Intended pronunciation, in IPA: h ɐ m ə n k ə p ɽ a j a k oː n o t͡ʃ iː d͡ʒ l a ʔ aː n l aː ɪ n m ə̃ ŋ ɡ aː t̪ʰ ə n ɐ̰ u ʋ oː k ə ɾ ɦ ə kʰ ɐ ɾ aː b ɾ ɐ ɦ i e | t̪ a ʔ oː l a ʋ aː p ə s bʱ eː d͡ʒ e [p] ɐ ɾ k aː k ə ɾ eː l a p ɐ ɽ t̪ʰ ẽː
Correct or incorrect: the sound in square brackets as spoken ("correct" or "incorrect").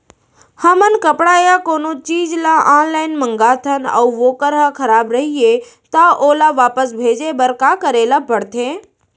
incorrect